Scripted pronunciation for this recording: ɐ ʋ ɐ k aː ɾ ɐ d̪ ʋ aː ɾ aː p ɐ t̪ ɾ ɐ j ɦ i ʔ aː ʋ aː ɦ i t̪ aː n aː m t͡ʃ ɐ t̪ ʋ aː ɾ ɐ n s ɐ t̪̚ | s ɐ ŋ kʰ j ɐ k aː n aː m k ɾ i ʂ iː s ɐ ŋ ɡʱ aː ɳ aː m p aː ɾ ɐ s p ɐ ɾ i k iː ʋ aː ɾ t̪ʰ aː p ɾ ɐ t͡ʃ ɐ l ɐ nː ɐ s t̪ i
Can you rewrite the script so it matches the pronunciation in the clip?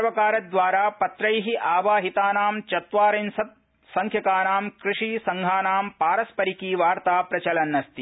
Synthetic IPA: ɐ ʋ ɐ k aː ɾ ɐ d̪ ʋ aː ɾ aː p ɐ t̪ ɾ ɐ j ɦ i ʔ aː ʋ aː ɦ i t̪ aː n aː m t͡ʃ ɐ t̪ ʋ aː ɾ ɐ n s ɐ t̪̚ | s ɐ ŋ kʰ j ɐ k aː n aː m k ɾ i ʂ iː s ɐ ŋ ɡʱ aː n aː m p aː ɾ ɐ s p ɐ ɾ i k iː ʋ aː ɾ t̪ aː p ɾ ɐ t͡ʃ ɐ l ɐ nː ɐ s t̪ i